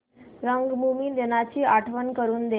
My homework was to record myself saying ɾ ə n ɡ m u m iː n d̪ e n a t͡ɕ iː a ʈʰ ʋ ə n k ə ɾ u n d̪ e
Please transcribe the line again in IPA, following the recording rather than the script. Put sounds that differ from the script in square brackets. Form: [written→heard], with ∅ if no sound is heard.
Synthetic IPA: ɾ ə [n→ŋ] ɡ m u m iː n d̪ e n a t͡ɕ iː a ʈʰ ʋ ə n k ə ɾ [u→uː] n d̪ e